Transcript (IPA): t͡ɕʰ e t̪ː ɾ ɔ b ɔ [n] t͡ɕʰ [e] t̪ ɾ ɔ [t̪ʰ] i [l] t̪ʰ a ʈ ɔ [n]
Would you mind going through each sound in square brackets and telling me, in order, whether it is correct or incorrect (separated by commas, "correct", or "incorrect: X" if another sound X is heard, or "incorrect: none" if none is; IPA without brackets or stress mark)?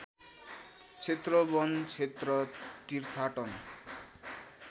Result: correct, correct, incorrect: t̪, incorrect: ɾ, correct